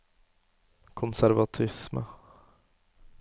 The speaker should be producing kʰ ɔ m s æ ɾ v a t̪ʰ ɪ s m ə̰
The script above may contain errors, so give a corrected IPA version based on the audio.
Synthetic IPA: kʰ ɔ n s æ ɾ v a t̪ʰ ɪ s m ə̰